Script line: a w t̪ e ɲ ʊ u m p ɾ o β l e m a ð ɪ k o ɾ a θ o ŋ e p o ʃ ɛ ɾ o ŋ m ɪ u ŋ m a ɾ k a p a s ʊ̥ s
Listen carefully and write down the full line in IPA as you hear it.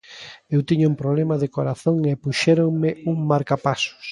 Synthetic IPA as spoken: e w t̪ i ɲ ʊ u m p ɾ o β l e m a ð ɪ k o ɾ a θ o ŋ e p u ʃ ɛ ɾ o ŋ m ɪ u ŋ m a ɾ k a p a s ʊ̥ s

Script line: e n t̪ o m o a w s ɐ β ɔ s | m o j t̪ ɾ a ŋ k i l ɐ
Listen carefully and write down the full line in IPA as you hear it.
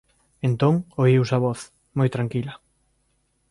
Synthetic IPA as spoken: e n t̪ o ŋ o i w s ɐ β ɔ θ | m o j t̪ ɾ a ŋ k i l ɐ

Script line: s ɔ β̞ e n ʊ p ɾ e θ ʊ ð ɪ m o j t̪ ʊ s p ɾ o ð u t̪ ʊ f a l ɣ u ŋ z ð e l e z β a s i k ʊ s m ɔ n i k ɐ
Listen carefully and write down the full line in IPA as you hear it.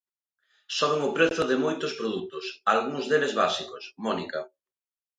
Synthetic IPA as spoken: s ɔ β̞ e ŋ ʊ p ɾ e θ ʊ ð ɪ m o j t̪ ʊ s p ɾ o ð u t̪ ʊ s a l ɣ u ŋ z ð e l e z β a s i k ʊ s m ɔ n i k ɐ

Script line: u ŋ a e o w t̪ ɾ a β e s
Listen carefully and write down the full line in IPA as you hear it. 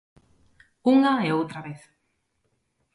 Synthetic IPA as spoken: u ŋ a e o w t̪ ɾ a β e θ

